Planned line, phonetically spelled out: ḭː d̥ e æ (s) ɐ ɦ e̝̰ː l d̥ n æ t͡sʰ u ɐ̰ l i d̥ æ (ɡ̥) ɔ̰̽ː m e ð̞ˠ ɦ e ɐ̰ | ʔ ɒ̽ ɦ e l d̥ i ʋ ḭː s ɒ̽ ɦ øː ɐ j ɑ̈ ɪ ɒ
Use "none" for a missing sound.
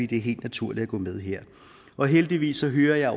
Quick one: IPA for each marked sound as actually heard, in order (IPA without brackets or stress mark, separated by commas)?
none, ɡ̥